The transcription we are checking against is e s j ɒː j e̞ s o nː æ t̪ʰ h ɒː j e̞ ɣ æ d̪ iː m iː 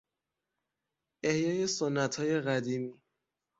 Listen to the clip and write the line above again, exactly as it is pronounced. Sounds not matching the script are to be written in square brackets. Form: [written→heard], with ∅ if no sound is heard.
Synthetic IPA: e [s→h] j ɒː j e̞ s o nː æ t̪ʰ h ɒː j e̞ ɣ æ d̪ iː m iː